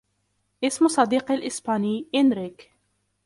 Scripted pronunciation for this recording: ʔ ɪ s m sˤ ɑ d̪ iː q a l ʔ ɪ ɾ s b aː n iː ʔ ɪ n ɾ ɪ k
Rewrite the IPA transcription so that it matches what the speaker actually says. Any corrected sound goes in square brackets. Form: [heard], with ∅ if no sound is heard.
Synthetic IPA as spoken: ʔ ɪ s m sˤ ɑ d̪ iː q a l ʔ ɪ [∅] s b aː n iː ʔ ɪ n ɾ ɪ k